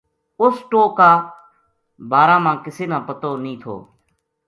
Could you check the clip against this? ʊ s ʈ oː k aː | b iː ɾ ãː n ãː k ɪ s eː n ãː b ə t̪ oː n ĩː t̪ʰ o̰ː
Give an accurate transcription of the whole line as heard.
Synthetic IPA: ʊ s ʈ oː k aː | b aː ɾ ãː m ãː k ɪ s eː n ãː p ə t̪ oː n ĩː t̪ʰ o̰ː